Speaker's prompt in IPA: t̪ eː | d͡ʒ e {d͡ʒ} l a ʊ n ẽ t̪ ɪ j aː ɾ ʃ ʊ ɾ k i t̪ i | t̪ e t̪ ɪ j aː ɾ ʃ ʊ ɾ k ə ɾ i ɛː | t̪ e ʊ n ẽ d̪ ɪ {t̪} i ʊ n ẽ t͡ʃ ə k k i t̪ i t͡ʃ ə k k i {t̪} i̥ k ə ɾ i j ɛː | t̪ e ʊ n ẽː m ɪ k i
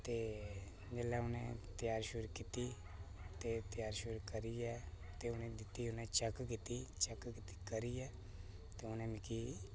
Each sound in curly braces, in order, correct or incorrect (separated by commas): incorrect, correct, correct